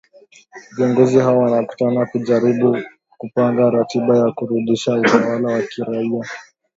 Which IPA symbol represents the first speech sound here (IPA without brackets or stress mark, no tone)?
v